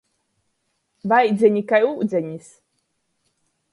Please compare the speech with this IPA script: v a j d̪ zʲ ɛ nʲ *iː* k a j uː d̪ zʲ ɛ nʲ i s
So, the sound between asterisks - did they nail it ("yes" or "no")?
no